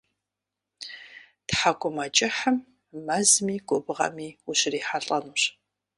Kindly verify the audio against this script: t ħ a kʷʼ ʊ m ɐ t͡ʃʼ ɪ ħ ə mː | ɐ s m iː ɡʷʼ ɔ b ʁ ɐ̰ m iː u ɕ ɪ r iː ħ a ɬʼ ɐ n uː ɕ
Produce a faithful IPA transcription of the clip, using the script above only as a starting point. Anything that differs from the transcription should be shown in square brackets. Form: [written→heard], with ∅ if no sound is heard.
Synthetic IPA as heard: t ħ a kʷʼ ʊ m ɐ t͡ʃʼ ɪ ħ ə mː | ɐ [s→z] m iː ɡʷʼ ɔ b ʁ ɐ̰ m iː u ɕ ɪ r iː ħ a ɬʼ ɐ n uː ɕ